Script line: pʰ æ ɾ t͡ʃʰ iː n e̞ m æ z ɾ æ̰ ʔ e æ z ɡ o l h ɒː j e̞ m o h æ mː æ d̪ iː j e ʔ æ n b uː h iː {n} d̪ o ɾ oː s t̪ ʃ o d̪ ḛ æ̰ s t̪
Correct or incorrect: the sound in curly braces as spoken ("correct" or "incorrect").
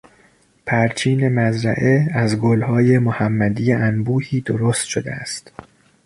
incorrect